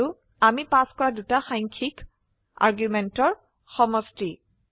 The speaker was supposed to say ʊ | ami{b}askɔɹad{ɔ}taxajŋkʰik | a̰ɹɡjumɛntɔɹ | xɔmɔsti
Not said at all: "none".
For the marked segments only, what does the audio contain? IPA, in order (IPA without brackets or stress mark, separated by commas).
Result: p, u